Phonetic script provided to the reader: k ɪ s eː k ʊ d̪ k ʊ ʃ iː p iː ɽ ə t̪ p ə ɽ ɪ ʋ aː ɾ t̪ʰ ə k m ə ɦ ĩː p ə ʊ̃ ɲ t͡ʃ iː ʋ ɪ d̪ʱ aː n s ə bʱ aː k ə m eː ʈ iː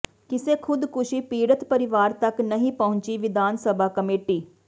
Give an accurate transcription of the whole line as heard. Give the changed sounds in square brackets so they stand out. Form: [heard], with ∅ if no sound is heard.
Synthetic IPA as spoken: k ɪ s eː [kʰ] ʊ d̪ k ʊ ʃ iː p iː ɽ ə t̪ p ə [ɾ] ɪ ʋ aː ɾ [t̪] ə k [n] ə ɦ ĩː p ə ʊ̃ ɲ t͡ʃ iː ʋ ɪ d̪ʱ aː n s ə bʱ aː k ə m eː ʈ iː